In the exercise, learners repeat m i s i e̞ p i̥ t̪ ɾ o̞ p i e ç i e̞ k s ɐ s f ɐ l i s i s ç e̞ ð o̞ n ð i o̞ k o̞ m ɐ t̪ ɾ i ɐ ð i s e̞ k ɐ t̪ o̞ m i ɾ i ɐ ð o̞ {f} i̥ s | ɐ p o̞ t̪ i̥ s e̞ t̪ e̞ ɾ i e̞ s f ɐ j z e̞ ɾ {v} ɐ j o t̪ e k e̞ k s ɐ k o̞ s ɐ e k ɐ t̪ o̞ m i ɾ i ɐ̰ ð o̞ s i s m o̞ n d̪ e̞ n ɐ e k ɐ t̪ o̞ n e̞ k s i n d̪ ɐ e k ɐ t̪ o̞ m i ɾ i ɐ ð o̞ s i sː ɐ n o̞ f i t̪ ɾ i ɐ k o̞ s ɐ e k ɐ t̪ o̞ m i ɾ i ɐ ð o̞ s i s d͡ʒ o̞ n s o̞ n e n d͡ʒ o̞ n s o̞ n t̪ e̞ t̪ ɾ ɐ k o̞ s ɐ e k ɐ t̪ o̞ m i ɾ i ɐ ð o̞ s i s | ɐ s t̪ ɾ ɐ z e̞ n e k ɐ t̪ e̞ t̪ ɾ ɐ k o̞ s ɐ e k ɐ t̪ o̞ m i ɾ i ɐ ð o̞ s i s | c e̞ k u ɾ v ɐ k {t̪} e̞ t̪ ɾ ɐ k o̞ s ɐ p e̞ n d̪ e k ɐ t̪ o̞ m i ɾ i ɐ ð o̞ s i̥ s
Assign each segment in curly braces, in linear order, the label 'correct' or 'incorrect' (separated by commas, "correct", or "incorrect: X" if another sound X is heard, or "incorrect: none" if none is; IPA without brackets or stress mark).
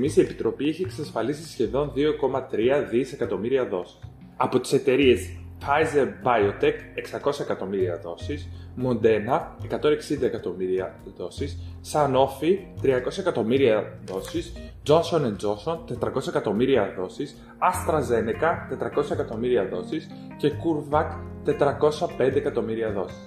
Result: incorrect: s, incorrect: b, correct